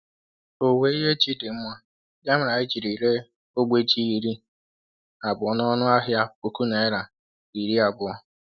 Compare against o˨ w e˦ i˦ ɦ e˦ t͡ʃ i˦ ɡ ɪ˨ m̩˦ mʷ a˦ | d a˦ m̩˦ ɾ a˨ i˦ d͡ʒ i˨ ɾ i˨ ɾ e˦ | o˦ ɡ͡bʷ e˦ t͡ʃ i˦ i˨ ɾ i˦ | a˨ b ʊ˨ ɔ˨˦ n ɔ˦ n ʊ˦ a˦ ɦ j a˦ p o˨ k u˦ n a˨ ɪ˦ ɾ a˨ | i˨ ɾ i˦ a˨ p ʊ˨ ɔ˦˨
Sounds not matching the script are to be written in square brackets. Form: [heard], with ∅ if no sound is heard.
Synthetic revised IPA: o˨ w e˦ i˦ ɦ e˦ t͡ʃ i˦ [d] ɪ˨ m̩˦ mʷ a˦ | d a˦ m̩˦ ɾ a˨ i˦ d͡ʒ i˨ ɾ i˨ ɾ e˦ | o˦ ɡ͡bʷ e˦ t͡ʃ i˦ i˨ ɾ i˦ | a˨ b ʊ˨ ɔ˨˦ n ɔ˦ n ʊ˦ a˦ ɦ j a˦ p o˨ k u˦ n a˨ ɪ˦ ɾ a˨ | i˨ ɾ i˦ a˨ [b] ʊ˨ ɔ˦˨